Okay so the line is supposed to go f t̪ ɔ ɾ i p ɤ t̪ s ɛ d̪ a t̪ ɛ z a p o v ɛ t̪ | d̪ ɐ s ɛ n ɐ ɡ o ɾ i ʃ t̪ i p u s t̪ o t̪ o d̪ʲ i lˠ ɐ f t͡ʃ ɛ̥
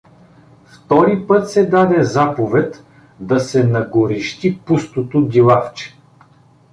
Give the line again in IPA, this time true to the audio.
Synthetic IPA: f t̪ ɔ ɾ i p ɤ t̪ s ɛ d̪ a d̪ ɛ z a p o v ɛ t̪ | d̪ ɐ s ɛ n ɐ ɡ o ɾ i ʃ t̪ i p u s t̪ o t̪ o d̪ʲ i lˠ a f t͡ʃ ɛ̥